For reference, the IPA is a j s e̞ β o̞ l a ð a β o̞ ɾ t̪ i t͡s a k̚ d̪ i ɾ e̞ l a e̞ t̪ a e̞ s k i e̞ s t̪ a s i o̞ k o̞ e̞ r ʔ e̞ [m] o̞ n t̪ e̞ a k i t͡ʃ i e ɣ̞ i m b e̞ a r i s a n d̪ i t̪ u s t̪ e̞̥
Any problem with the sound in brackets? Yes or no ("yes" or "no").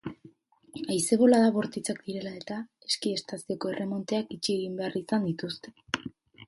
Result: no